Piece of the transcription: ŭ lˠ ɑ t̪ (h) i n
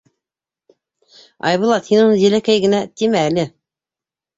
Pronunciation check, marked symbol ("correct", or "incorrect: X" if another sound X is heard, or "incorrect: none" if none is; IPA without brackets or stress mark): correct